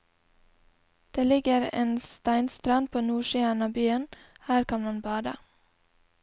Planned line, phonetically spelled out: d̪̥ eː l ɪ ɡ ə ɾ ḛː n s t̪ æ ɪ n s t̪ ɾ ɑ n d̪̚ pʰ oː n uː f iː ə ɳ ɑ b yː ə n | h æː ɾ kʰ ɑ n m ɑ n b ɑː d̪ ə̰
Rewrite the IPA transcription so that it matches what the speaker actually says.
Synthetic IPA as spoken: d̪̥ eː l ɪ ɡ ə ɾ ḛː n s t̪ æ ɪ n s t̪ ɾ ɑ n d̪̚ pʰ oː n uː ʃ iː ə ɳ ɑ b yː ə n | h æː ɾ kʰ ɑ n m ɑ n b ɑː d̪ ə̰